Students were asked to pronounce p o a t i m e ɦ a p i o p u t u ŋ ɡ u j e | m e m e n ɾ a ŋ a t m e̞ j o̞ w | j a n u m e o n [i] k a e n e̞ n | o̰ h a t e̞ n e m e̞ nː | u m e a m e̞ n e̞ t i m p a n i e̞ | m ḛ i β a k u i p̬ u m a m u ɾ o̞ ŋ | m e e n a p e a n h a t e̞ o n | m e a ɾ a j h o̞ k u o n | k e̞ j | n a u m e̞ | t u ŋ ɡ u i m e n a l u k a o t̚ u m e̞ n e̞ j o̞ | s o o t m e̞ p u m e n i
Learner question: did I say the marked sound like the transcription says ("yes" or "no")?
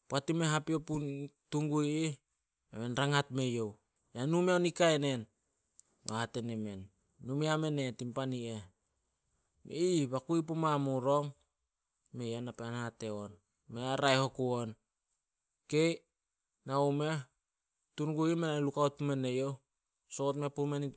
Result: yes